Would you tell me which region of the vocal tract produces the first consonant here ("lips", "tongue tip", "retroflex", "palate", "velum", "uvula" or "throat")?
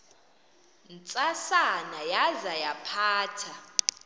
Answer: tongue tip